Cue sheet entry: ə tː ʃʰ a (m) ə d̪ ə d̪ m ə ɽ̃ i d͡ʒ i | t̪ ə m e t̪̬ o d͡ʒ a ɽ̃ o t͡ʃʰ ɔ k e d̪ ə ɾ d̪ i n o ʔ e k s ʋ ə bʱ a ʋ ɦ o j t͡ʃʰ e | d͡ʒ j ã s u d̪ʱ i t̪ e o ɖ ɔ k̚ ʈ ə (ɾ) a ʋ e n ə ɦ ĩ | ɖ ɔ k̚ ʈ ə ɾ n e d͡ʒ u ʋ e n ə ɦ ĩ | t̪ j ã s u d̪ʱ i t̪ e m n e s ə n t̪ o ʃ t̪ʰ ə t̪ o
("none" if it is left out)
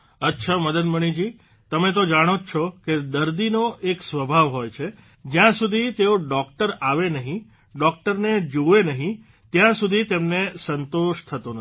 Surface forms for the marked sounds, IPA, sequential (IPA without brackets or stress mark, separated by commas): m, ɾ